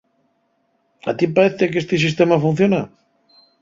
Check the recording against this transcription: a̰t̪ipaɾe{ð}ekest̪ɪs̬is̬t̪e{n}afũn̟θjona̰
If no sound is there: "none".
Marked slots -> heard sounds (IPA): θ, m

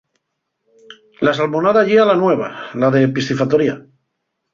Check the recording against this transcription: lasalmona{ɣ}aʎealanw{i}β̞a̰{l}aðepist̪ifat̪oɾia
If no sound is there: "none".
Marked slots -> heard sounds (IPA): ð, e, l

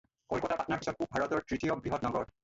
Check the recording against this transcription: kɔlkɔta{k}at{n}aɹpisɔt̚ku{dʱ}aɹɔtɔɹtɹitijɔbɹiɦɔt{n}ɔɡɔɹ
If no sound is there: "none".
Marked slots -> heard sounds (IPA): p, n, bʱ, n

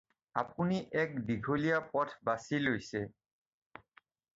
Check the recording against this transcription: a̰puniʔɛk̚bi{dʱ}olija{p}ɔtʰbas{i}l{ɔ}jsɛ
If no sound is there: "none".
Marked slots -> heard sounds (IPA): ɡʱ, p, i, o

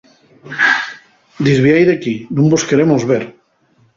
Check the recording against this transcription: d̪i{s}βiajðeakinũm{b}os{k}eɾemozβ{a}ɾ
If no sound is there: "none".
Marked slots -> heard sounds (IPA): z, b, k, e

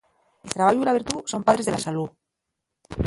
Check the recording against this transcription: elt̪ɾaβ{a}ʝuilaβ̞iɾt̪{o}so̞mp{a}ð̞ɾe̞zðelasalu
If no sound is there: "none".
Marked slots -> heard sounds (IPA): a, u, a

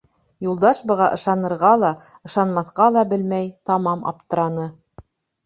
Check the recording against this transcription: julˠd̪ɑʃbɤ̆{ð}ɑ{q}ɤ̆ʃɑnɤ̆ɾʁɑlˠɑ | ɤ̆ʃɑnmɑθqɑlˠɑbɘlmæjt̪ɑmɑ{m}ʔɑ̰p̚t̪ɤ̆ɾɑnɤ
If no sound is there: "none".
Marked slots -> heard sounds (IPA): ʁ, ʔ, m

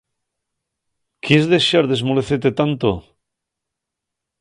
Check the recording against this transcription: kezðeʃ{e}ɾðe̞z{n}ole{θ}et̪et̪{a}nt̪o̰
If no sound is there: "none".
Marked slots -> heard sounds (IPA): a, m, θ, a

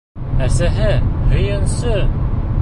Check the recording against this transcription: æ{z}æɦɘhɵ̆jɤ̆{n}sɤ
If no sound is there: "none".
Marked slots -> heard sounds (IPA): s, n

